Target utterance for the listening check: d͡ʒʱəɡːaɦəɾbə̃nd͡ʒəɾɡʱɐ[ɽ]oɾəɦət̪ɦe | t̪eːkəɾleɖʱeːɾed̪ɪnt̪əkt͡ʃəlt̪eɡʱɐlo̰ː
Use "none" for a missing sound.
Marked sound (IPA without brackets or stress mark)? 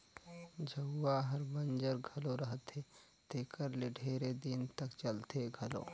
l